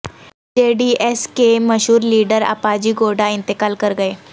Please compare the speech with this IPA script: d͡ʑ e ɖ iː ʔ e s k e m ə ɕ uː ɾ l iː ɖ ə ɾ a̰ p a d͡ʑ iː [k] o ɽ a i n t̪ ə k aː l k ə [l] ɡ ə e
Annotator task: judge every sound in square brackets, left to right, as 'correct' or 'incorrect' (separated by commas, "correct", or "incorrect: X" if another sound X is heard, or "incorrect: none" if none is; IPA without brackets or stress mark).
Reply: incorrect: ɡ, incorrect: ɾ